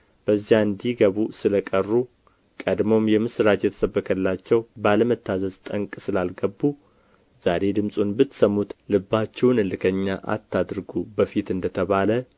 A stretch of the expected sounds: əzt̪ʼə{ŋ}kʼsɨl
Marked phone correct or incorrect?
correct